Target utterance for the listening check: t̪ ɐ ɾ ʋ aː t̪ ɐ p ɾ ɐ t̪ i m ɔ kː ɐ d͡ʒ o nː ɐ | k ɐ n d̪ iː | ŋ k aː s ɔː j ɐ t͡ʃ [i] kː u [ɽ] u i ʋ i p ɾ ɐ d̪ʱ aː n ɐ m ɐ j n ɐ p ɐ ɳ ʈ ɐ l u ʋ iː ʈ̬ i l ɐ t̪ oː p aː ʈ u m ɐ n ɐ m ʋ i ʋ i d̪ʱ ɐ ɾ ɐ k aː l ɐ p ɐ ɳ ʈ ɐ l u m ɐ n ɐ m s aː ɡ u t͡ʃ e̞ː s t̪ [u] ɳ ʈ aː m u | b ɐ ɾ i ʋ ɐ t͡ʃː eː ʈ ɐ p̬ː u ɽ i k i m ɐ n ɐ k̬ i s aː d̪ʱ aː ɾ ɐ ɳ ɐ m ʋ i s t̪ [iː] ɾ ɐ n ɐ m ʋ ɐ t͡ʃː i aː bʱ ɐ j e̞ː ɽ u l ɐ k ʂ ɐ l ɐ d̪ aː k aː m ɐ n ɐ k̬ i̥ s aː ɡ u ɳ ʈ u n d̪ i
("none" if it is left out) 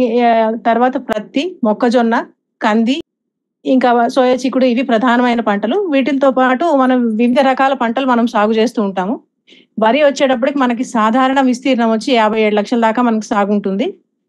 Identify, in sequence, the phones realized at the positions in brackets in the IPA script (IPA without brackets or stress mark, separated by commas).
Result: i, ɽ, uː, iː